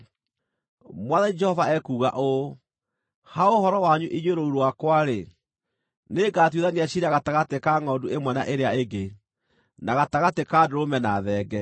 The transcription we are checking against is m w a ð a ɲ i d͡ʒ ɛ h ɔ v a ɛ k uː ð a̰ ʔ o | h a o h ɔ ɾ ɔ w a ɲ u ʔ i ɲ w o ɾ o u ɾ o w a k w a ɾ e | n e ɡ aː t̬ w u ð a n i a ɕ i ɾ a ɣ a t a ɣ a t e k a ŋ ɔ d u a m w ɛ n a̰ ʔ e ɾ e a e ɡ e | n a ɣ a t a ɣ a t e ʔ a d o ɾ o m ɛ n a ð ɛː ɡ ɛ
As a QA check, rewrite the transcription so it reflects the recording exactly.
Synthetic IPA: m w a ð a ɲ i d͡ʒ ɛ h ɔ v a ɛ k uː ɣ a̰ ʔ o | h a o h ɔ ɾ ɔ w a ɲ u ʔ i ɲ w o ɾ o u ɾ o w a k w a ɾ e | n e ɡ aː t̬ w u ð a n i a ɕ i ɾ a ɣ a t a ɣ a t e k a ŋ ɔ d u e m w ɛ n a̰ ʔ e ɾ e a e ɡ e | n a ɣ a t a ɣ a t e k a d o ɾ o m ɛ n a ð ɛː ɡ ɛ